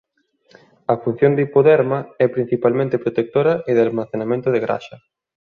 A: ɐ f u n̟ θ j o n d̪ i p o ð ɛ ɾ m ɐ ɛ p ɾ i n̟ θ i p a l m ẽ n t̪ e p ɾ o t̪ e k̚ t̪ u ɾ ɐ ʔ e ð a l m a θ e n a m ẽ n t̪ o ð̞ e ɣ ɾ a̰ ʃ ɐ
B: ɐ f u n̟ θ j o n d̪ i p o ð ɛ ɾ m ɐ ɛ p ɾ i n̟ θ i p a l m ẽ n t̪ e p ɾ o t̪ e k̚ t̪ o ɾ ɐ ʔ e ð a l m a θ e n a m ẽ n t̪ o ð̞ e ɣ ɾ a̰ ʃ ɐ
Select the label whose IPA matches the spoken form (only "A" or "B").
B